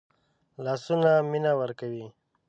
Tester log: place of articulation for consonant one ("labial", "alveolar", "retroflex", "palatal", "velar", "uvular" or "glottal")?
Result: alveolar